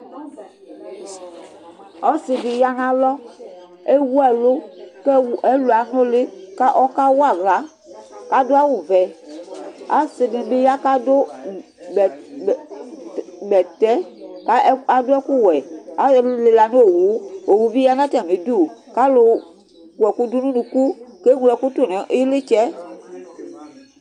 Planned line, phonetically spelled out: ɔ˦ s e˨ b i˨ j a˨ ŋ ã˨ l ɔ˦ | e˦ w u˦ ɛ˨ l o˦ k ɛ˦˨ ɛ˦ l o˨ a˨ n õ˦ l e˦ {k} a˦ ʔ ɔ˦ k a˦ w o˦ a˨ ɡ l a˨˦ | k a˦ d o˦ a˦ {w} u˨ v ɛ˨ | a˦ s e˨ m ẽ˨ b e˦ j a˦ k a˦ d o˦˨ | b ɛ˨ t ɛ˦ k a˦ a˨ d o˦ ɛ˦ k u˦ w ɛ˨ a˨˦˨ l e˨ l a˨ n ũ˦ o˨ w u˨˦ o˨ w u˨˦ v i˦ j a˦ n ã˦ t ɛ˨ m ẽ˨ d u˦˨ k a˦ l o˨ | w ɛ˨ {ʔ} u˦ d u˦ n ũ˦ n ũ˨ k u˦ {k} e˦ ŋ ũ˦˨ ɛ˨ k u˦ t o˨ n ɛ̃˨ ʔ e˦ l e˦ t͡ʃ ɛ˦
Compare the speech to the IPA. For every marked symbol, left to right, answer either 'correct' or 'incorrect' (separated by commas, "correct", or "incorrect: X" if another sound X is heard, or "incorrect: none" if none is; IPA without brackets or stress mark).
correct, correct, incorrect: k, correct